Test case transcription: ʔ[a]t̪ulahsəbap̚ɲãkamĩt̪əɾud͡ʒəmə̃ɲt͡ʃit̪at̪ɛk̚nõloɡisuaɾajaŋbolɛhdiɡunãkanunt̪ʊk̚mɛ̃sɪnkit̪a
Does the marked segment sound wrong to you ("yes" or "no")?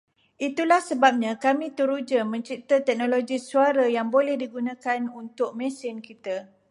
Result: yes